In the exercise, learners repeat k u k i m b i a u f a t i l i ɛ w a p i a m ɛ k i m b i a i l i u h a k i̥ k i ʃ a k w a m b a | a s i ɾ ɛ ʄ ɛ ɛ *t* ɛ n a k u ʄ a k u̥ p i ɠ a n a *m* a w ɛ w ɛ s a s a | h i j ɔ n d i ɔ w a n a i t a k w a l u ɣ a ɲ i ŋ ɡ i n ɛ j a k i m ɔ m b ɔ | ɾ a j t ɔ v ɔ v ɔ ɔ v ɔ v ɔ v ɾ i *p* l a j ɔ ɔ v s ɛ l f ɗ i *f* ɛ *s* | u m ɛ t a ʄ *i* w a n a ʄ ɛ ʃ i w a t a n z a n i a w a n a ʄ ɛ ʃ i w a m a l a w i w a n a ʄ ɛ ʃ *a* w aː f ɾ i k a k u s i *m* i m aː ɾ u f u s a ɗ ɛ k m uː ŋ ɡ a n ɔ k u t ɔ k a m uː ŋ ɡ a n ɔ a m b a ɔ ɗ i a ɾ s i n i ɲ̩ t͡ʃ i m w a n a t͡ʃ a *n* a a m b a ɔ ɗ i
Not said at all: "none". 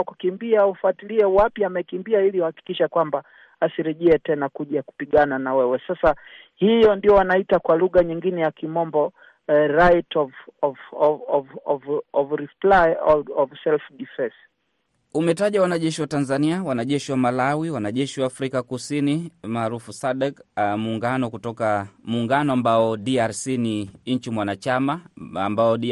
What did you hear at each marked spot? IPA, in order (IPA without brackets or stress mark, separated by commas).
t, n, p, f, s, a, i, n, m